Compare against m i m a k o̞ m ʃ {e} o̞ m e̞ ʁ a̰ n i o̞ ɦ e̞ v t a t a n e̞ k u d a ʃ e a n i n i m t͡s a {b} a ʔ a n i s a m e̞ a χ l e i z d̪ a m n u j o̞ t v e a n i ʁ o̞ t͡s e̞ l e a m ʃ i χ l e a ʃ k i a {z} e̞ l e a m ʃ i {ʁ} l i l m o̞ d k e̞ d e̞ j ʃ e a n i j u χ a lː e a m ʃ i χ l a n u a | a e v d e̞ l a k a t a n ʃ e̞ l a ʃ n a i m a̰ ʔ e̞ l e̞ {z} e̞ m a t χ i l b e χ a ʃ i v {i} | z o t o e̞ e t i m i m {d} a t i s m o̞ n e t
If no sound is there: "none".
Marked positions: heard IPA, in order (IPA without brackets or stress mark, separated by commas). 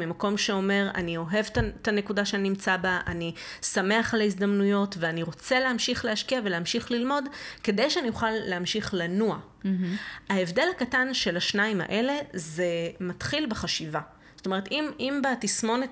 e, b, v, χ, z, a, b